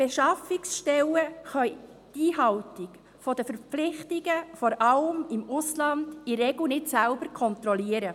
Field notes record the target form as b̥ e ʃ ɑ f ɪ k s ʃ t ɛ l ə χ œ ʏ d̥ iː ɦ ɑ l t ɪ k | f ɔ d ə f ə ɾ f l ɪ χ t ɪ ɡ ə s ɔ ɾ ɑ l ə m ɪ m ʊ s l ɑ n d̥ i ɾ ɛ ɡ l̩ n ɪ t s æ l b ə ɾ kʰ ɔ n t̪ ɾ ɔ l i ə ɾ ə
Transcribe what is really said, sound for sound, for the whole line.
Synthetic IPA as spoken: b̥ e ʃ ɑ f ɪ k s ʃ t ɛ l ə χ œ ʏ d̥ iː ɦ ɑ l t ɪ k | f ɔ d ə f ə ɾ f l ɪ χ t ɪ ɡ ə f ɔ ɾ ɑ l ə m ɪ m ʊ s l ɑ n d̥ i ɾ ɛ ɡ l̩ n ɪ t s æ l b ə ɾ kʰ ɔ n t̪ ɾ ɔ l i ə ɾ ə

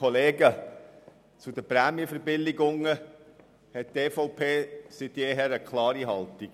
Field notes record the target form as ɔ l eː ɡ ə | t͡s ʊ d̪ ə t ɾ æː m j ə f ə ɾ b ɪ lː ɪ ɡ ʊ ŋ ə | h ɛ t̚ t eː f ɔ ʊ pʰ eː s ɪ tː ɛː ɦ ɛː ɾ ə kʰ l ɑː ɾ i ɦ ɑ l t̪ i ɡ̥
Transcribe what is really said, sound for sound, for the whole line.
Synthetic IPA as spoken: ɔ l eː ɡ ə | t͡s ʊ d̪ ə p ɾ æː m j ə f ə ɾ b ɪ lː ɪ ɡ ʊ ŋ ə | h ɛ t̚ t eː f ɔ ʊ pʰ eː s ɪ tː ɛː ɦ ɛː ɾ ə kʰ l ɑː ɾ i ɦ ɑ l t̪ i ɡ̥

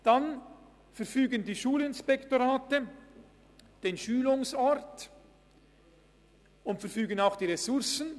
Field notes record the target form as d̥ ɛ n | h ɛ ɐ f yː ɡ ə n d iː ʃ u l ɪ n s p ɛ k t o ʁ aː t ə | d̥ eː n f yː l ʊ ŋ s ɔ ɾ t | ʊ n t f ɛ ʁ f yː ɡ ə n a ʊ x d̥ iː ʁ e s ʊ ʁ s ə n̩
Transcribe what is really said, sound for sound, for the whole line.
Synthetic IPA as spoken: d̥ a n | f ɛ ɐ f yː ɡ ə n d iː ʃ uː l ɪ n s p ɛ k t o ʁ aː t ə | d̥ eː n ʃ yː l ʊ ŋ s ɔ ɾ t | ʊ n t f ɛ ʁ f yː ɡ ə n a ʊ x d̥ iː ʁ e s ʊ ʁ s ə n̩

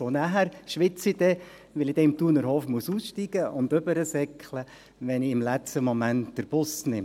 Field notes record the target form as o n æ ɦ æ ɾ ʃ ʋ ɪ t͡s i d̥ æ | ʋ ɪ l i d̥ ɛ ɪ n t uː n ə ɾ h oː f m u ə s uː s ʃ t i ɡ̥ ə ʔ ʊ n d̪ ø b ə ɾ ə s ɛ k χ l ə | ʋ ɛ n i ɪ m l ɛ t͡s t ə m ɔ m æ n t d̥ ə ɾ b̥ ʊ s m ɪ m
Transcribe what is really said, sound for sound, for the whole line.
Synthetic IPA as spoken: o n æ ɦ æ ɾ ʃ ʋ ɪ t͡s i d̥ ɛ | ʋ ɪ l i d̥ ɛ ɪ m t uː n ə ɾ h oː f m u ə s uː s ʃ t i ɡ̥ ə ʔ ʊ n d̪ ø b ə ɾ ə s ɛ k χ l ə | ʋ ɛ n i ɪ m l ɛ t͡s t ə m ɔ m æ n t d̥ ə ɾ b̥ ʊ s n ɪ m

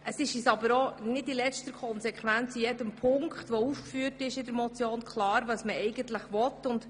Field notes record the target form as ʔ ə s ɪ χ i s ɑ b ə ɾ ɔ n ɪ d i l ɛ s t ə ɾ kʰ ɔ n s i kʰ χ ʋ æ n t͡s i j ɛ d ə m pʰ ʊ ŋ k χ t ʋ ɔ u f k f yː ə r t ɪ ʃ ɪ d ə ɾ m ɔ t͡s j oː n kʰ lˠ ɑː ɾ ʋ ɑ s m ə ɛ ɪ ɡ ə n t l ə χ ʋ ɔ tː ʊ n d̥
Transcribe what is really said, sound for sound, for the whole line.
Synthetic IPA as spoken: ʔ ə s ɪ ʃ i s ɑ b ə ɾ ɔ n ɪ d i l ɛ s t ə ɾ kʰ ɔ n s ɛ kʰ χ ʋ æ n t͡s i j ɛ d ə m pʰ ʊ ŋ k χ t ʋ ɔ u f k f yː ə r t ɪ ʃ ɪ d ə ɾ m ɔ t͡s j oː n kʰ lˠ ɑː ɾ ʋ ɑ s m ə ɛ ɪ ɡ ə n t l ə χ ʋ ɔ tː ʊ n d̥

